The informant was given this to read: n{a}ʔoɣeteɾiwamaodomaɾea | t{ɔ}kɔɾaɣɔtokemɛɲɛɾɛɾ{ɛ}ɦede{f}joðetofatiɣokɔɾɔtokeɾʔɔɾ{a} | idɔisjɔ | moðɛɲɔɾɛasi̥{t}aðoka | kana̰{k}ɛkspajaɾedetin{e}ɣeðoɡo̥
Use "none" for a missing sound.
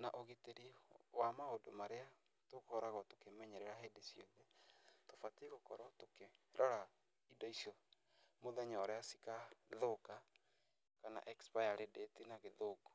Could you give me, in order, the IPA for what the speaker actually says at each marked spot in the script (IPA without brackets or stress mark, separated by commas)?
a, o, a, s, a, k, ʔ, a